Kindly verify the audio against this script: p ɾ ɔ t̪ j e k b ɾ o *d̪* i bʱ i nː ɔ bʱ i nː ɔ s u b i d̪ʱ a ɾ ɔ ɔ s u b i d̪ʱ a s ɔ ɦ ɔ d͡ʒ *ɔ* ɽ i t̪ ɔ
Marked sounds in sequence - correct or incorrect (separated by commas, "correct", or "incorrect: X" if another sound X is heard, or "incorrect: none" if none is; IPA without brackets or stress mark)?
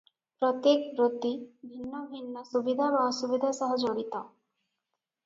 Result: incorrect: t̪, incorrect: o